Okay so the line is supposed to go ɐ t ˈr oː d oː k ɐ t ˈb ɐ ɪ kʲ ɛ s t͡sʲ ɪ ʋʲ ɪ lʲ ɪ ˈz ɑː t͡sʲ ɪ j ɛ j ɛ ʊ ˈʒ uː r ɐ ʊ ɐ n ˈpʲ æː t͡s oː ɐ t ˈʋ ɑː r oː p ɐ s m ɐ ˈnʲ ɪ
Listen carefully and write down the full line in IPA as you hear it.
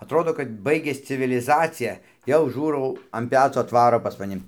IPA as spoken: ɐ t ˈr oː d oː k ɐ t ˈb ɐ ɪ ɡʲ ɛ s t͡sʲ ɪ ʋʲ ɪ lʲ ɪ ˈz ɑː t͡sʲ ɪ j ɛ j ɛ ʊ ˈʒ uː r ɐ ʊ ɐ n ˈpʲ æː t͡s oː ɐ t ˈʋ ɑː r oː p ɐ s m ɐ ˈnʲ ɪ